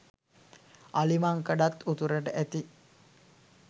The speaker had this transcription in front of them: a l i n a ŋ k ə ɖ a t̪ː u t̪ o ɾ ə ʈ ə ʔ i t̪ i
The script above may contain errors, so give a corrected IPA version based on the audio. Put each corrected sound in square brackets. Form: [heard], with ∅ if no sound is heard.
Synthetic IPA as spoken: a l i [m] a ŋ k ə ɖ a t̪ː u t̪ [u] ɾ ə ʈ ə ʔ [æ] t̪ i